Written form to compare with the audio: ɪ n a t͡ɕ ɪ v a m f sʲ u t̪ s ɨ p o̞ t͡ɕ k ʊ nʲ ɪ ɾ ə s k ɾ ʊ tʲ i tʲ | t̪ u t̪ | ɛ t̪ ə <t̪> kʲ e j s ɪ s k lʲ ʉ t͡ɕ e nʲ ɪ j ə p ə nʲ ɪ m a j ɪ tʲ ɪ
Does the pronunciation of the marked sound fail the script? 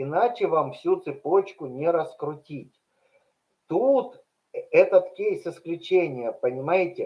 no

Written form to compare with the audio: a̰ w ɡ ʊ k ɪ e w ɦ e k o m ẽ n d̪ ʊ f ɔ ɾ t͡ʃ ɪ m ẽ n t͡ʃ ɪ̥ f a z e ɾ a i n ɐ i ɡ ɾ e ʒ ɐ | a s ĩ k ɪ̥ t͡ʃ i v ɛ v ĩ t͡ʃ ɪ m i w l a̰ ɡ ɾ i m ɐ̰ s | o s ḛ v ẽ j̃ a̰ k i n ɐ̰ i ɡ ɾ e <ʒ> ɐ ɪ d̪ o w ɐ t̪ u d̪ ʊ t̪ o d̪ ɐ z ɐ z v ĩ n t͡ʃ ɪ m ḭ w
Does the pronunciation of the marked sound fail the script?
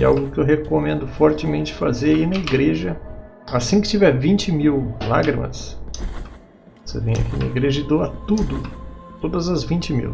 no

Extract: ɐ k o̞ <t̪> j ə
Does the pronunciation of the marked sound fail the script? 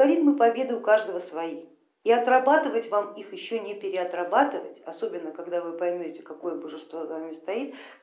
yes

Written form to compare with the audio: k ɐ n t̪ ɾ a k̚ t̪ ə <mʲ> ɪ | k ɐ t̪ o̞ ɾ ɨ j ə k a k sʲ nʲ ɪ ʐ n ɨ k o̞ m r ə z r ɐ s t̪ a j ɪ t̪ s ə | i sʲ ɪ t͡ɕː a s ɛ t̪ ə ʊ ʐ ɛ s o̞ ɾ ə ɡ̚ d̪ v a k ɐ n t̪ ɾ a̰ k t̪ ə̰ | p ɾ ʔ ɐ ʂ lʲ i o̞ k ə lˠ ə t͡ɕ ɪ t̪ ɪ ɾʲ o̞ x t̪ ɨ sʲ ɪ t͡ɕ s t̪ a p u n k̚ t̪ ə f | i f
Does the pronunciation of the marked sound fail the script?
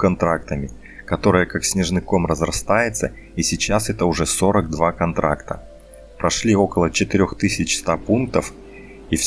no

